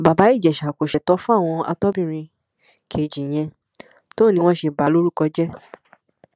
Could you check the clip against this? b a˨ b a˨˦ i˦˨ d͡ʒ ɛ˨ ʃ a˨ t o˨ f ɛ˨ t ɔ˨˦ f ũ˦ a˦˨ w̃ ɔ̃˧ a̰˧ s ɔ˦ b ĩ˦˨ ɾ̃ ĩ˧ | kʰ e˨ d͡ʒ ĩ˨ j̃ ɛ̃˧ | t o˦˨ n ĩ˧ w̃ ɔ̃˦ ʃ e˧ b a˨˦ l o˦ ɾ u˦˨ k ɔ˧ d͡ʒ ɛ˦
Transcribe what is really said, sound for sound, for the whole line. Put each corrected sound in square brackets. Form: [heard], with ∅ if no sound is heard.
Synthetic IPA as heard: b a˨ b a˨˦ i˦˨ d͡ʒ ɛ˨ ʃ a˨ [k] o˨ [ʃ] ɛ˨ t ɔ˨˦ f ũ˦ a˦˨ w̃ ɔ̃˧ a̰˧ [t] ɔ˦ b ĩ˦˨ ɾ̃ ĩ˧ | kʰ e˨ d͡ʒ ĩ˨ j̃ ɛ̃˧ | t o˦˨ n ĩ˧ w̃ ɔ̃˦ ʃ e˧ b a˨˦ l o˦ ɾ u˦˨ k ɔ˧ d͡ʒ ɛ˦